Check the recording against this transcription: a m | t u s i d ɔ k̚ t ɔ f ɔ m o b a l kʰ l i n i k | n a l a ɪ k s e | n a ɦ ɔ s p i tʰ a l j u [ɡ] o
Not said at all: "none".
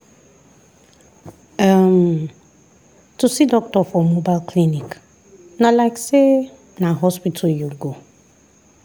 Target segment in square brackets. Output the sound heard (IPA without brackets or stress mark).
ɡ